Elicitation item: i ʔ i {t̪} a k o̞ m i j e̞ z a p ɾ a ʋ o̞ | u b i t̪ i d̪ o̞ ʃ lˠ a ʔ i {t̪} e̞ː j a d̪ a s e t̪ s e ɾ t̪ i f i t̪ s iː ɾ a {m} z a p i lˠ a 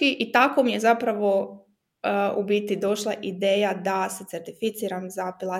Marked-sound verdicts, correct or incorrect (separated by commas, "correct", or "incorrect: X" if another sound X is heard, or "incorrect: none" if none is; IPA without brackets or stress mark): correct, incorrect: d̪, correct